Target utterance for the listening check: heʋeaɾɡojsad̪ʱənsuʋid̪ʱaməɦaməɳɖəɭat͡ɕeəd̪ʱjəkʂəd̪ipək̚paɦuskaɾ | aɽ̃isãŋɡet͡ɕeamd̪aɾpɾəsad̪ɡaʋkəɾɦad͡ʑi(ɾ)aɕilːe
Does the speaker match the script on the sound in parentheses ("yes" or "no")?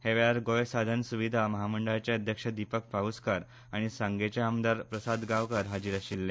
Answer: yes